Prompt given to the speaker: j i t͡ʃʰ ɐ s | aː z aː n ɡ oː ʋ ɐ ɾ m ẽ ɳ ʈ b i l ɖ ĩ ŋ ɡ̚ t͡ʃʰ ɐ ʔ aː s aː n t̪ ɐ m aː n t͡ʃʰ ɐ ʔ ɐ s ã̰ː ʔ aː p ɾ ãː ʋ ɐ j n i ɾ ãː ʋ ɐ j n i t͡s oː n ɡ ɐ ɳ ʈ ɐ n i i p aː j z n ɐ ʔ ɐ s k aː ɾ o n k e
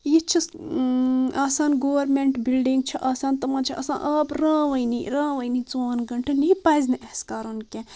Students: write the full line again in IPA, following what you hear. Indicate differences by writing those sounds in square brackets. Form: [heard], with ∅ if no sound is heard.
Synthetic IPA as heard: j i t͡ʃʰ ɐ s | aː [s] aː n ɡ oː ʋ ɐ ɾ m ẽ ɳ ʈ b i l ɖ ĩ ŋ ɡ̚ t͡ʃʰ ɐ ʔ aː s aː n t̪ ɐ m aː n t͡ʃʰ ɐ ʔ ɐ s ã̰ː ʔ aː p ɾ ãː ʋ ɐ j n i ɾ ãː ʋ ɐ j n i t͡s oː n ɡ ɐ ɳ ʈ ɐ n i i p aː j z n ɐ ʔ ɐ s k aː ɾ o n k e